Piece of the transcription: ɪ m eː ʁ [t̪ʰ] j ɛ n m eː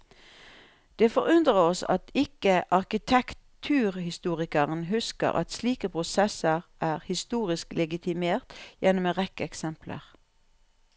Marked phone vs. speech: incorrect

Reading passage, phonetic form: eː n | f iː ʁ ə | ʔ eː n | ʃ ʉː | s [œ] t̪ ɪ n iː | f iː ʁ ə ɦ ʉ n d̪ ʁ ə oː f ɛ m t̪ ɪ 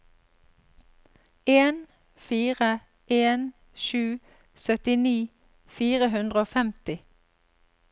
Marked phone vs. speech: correct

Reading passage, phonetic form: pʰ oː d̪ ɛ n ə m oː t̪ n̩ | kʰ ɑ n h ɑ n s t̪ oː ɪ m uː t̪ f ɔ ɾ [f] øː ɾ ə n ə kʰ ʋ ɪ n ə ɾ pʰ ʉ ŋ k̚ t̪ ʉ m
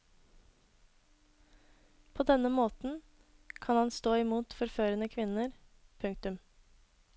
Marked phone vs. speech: correct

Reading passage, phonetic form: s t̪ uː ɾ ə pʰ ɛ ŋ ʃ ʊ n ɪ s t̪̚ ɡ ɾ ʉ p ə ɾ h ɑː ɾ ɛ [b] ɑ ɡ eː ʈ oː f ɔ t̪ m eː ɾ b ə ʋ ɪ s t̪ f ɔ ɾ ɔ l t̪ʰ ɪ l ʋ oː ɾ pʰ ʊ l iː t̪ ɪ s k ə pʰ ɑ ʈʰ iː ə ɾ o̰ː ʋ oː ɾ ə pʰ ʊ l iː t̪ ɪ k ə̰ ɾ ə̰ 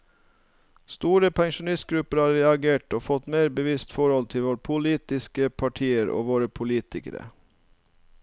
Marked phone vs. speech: incorrect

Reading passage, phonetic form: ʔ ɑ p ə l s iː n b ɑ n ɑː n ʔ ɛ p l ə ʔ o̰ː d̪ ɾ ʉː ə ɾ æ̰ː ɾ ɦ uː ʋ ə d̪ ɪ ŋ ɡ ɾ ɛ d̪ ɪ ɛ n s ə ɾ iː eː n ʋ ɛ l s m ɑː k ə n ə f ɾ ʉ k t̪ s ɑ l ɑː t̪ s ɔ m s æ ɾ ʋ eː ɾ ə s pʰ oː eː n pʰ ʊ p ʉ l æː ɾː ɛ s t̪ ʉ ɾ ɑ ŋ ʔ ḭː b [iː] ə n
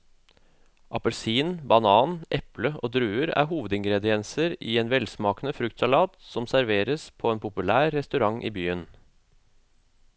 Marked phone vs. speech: incorrect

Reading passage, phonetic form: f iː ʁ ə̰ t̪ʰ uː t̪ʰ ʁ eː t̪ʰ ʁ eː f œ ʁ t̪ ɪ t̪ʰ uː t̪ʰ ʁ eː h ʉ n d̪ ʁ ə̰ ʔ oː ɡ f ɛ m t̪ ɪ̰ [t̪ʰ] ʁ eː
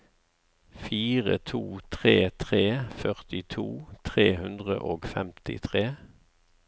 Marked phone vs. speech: correct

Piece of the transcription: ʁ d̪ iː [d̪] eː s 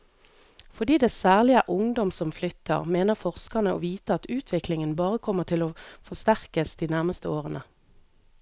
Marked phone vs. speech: correct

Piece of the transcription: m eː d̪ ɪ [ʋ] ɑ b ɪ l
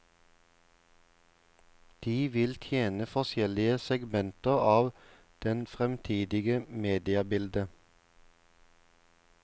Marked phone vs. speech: incorrect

